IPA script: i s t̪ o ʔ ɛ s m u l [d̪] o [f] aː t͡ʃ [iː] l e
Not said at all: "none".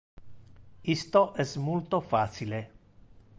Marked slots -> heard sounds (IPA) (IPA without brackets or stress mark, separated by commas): t̪, f, i